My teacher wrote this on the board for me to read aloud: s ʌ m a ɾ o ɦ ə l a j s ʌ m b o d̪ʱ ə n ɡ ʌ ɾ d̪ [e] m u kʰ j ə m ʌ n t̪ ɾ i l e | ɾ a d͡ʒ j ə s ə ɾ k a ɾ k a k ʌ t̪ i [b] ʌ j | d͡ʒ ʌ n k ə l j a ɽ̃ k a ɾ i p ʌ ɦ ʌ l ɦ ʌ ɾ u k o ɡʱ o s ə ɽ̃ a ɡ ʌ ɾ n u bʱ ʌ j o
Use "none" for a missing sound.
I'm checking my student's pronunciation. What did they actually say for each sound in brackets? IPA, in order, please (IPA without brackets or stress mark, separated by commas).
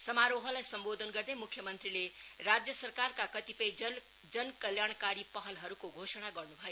e, p